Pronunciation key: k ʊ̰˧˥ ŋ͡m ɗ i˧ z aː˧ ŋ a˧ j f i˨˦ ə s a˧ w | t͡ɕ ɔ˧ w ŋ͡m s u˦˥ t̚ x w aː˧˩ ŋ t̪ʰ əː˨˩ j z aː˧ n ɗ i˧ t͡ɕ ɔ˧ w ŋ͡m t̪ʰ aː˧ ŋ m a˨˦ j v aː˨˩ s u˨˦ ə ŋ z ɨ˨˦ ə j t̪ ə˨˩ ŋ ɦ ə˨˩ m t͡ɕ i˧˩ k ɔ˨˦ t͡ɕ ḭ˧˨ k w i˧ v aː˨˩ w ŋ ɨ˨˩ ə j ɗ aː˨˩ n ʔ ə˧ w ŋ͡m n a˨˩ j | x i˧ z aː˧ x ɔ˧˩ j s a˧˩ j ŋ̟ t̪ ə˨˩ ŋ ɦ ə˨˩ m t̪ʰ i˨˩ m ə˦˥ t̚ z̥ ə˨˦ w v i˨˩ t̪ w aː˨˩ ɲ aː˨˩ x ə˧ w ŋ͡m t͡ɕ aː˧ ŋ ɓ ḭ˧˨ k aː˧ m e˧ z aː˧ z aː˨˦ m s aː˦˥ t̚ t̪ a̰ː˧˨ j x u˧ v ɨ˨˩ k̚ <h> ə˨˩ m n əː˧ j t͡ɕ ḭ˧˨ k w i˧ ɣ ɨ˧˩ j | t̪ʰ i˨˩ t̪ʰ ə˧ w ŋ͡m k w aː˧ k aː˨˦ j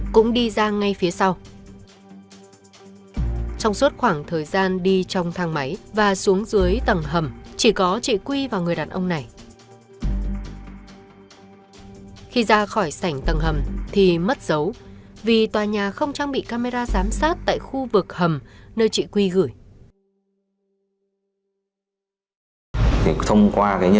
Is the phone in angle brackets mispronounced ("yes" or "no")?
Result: no